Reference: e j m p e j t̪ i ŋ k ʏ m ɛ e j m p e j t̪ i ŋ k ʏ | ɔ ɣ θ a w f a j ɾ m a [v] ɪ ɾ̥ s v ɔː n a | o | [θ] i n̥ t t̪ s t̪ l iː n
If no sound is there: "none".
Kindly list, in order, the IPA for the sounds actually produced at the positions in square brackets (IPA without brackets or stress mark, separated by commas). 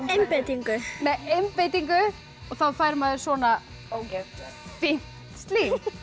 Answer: ð, f